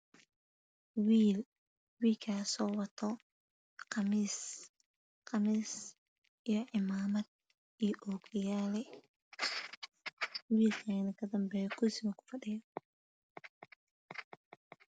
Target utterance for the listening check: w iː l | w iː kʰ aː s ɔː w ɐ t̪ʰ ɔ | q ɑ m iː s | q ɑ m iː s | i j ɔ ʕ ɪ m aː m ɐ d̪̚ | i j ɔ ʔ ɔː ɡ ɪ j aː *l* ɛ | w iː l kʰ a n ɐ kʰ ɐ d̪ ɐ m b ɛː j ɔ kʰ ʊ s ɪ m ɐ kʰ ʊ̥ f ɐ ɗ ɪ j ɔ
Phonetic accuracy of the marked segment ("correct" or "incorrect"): correct